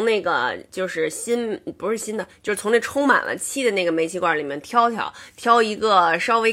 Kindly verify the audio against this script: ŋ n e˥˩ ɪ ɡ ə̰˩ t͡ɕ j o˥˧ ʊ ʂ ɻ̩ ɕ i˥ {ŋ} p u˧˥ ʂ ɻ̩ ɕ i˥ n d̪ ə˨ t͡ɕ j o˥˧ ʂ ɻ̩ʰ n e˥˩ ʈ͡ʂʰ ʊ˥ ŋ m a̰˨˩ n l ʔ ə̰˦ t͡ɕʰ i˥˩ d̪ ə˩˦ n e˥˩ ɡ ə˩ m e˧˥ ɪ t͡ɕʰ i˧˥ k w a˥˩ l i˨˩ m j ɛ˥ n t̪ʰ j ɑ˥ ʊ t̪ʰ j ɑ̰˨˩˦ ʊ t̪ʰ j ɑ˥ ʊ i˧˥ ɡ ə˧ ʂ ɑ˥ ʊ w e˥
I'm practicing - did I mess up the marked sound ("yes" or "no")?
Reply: yes